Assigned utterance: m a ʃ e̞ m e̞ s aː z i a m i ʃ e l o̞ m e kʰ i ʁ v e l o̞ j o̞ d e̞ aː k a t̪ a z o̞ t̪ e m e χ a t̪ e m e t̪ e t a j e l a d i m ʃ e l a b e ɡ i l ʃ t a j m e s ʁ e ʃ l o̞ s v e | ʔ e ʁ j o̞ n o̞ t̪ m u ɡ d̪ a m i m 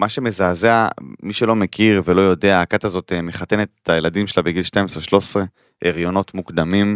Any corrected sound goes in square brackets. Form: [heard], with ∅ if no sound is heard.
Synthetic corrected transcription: m a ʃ e̞ m e̞ [z] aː z [e] a m i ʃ e l o̞ m e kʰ i ʁ v e l o̞ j o̞ d e̞ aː k a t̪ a z o̞ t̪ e m e χ a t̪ e [n] e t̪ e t a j e l a d i m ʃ e l a b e ɡ i l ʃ t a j m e s ʁ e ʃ l o̞ s [ʁ] e | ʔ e ʁ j o̞ n o̞ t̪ m u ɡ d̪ a m i m